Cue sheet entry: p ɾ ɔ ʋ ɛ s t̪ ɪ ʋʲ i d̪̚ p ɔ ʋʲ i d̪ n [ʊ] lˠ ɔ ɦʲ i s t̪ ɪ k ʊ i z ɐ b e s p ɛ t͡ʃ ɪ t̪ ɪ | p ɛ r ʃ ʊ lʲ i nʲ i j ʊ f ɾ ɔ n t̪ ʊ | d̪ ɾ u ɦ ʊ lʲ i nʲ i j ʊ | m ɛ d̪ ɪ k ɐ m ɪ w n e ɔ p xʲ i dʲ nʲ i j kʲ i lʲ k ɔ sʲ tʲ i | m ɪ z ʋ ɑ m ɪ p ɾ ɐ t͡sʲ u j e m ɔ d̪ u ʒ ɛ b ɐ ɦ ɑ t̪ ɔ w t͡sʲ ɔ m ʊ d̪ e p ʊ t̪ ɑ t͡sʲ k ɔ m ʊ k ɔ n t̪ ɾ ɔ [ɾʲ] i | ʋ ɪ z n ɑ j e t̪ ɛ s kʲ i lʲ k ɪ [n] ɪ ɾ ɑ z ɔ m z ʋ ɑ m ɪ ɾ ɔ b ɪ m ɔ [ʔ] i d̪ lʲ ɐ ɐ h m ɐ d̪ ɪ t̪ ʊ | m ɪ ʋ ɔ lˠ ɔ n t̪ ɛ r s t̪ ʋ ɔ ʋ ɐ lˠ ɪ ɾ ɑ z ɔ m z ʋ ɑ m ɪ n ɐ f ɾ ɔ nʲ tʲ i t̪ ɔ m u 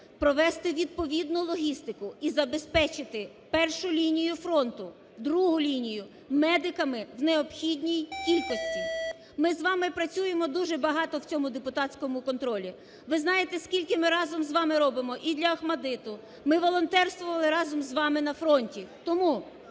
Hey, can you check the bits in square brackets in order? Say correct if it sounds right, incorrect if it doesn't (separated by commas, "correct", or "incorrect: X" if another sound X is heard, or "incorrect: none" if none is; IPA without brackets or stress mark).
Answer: correct, incorrect: lʲ, incorrect: m, correct